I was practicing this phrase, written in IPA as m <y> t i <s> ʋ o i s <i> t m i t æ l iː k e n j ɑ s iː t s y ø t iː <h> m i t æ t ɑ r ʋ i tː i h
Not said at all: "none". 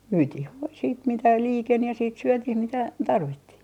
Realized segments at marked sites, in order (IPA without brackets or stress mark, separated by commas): yː, h, iː, h